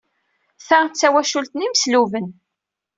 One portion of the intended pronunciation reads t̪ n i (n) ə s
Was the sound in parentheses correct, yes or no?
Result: no